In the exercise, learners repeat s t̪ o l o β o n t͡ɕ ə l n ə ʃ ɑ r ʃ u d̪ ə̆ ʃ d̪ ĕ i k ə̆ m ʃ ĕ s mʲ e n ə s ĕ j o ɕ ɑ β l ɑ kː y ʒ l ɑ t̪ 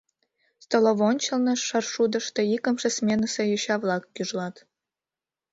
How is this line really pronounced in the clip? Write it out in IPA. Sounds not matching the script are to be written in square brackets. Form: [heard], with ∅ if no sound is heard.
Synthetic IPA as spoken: s t̪ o l o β o n t͡ɕ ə l n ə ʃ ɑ r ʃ u d̪ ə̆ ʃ [t̪] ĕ i k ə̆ m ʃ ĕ s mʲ e n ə s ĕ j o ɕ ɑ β l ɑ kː y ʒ l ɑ t̪